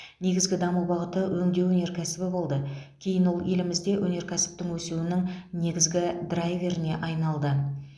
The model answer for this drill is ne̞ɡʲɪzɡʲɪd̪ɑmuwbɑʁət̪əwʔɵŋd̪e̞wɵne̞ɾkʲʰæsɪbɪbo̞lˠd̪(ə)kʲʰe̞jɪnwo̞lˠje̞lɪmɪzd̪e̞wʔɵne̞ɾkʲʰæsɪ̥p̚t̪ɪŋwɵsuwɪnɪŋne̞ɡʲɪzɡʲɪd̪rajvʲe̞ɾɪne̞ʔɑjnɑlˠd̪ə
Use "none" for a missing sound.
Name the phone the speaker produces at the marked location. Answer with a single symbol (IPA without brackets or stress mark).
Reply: ə